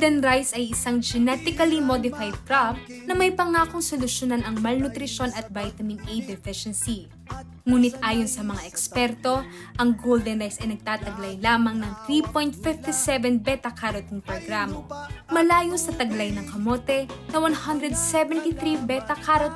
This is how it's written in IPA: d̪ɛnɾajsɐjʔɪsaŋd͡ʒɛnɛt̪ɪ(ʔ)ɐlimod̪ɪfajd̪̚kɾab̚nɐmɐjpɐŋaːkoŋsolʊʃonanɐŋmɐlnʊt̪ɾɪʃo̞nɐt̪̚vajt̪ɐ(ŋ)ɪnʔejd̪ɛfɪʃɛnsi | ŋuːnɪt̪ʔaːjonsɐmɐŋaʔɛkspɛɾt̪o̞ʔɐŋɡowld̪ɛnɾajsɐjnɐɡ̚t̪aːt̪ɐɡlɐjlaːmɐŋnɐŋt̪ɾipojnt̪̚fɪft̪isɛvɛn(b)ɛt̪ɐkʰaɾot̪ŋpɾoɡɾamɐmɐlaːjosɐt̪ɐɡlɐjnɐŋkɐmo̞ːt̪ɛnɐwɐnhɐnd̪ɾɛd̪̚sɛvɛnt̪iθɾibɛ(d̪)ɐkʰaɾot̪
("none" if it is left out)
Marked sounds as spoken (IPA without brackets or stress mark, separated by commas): k, m, b, t̪